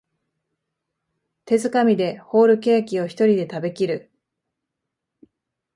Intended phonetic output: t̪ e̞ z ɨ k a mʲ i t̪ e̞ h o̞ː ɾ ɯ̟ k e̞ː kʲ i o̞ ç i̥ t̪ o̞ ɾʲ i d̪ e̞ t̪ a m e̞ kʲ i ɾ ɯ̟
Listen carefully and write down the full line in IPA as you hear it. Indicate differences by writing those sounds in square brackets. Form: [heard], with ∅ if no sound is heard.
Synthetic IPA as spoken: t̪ e̞ z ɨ k a mʲ i [d̪] e̞ h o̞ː ɾ ɯ̟ k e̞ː kʲ i o̞ ç i̥ t̪ o̞ ɾʲ i d̪ e̞ t̪ a [b] e̞ kʲ i ɾ ɯ̟